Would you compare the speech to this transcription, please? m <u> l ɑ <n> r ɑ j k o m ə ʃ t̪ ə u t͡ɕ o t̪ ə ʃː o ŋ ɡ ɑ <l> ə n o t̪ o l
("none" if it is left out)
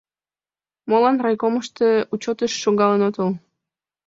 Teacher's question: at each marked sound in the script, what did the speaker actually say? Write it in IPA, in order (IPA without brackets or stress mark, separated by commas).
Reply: o, n, l